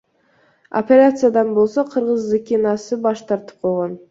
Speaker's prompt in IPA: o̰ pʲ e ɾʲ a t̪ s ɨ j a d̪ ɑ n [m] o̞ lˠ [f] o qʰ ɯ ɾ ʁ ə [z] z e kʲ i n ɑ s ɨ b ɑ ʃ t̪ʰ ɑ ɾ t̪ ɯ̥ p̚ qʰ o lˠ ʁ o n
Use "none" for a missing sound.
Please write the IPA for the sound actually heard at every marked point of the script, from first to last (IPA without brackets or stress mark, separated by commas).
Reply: b, s, z